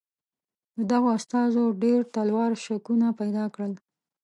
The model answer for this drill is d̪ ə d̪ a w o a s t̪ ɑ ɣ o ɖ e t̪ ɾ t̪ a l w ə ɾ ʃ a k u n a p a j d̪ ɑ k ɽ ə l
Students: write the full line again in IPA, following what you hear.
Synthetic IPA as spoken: d̪ ə d̪ a ɣ o a s t̪ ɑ z o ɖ e ɾ t̪ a l w ɑ ɾ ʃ a k u n a p a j d̪ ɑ k ɽ ə l